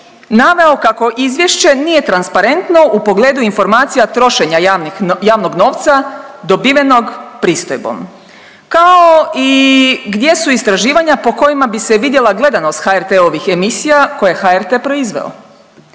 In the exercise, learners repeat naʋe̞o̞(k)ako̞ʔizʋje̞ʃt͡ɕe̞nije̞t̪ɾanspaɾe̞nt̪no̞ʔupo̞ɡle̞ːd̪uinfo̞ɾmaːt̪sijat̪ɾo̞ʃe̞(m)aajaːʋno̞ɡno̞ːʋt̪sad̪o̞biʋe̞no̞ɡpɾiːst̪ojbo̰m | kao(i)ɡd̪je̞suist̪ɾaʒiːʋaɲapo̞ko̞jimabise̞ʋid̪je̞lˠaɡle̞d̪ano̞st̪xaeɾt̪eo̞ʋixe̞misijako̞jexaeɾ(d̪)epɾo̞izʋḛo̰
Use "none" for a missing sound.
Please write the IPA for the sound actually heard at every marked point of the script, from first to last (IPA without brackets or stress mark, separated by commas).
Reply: k, ɲ, i, t̪